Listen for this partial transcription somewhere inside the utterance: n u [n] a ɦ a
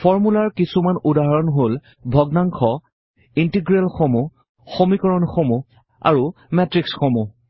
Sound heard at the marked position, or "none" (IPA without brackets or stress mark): d